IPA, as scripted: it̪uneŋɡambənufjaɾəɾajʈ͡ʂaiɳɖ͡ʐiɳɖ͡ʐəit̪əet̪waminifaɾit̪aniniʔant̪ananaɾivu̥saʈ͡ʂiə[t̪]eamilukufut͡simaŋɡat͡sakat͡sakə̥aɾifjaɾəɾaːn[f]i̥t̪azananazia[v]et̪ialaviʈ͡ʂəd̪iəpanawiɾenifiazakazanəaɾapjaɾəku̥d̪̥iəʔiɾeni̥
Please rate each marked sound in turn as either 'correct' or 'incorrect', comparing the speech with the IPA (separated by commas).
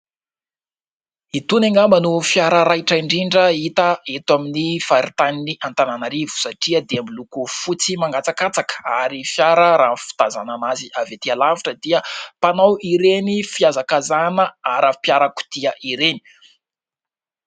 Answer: incorrect, correct, correct